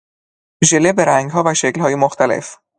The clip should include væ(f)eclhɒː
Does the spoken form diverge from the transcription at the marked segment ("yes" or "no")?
yes